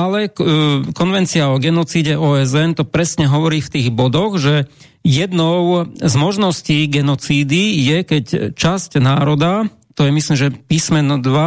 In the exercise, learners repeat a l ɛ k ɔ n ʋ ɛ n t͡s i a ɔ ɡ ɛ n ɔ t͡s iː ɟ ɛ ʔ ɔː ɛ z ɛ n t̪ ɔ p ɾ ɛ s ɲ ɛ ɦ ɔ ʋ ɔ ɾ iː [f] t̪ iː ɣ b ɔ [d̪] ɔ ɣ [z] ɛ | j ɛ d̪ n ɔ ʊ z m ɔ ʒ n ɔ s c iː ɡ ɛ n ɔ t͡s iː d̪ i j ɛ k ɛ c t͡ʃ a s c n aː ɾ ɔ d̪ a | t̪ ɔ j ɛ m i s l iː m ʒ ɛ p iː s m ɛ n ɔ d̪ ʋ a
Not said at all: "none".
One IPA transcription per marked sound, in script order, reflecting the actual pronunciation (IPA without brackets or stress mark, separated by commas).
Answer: f, d̪, ʒ